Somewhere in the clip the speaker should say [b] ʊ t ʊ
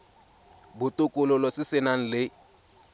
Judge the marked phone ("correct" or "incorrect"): correct